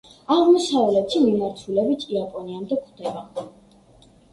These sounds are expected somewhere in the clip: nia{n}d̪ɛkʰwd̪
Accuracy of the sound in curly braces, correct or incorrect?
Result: incorrect